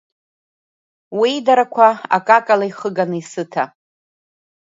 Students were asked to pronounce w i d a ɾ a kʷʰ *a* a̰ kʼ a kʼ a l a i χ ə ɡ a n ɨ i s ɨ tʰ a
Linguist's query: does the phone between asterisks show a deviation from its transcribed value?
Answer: no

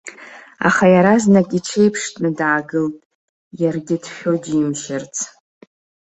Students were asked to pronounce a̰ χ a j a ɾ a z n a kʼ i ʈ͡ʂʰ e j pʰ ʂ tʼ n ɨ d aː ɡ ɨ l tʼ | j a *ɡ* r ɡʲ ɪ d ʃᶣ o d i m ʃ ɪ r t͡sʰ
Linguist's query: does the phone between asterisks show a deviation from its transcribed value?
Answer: yes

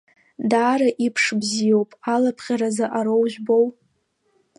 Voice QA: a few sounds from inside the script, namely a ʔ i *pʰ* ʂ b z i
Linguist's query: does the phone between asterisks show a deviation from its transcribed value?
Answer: no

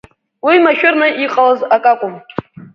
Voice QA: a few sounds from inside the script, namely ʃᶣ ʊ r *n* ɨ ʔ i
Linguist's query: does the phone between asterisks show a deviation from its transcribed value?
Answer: no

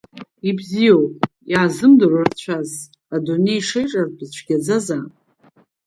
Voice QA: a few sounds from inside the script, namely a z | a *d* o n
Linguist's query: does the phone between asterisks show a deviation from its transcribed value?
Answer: no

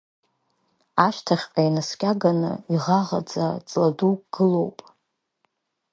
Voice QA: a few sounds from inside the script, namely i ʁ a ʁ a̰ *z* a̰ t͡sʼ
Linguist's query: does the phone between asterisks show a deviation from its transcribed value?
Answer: yes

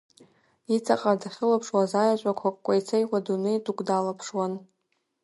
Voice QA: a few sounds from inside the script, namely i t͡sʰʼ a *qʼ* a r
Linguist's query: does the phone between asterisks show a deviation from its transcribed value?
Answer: no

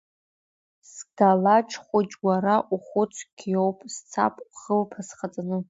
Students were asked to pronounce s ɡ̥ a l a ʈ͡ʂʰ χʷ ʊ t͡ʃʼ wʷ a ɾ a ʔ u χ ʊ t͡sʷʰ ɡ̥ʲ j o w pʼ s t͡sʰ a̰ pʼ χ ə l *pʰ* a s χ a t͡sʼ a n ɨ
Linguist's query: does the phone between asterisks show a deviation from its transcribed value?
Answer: no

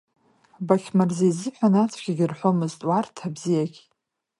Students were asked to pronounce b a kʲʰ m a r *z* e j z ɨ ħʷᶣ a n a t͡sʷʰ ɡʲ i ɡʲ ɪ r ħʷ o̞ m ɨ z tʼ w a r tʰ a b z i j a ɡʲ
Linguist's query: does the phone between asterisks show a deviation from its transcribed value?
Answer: no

